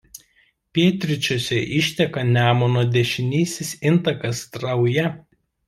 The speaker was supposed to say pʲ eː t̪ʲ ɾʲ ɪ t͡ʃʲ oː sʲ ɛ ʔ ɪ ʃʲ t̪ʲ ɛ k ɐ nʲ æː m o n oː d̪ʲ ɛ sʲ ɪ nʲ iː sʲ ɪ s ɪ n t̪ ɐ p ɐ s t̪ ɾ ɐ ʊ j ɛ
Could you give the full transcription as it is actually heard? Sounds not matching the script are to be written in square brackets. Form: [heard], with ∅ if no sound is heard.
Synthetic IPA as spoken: pʲ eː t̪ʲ ɾʲ ɪ t͡ʃʲ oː sʲ ɛ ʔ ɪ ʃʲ t̪ʲ ɛ k ɐ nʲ æː m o n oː d̪ʲ ɛ [ʃʲ] ɪ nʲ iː sʲ ɪ s ɪ n t̪ ɐ [k] ɐ s t̪ ɾ ɐ ʊ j ɛ